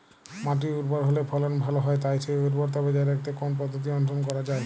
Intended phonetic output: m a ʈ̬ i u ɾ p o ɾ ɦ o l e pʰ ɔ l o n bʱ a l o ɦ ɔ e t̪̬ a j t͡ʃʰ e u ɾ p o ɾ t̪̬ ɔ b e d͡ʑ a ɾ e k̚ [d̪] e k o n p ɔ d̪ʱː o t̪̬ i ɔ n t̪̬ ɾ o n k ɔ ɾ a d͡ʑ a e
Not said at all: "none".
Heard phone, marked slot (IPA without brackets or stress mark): t̪